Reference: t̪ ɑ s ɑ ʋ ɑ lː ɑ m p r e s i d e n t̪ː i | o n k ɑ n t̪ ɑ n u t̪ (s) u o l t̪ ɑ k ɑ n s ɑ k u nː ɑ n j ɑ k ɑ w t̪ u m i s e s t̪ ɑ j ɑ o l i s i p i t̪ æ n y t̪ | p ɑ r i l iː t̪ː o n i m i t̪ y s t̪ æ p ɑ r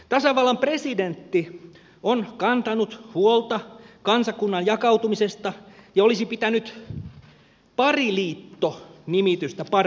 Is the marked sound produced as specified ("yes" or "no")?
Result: no